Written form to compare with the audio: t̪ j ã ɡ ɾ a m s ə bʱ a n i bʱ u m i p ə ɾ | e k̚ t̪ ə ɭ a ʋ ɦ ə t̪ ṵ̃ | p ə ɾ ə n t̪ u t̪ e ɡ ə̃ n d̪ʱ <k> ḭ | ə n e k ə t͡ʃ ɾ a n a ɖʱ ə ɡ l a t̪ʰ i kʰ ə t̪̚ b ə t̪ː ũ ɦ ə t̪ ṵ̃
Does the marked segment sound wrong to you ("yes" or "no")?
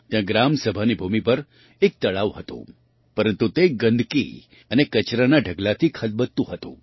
no